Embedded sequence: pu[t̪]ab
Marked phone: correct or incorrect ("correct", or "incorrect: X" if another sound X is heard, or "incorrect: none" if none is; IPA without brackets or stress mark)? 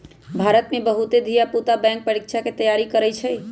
correct